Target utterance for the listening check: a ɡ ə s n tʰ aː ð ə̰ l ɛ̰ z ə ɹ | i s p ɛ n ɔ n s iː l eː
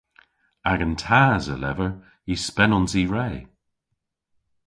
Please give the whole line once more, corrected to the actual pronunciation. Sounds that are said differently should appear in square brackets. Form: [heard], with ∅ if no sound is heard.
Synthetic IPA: a ɡ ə [∅] n tʰ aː [z] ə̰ l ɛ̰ [v] ə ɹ | i s p ɛ n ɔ n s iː [ɹ] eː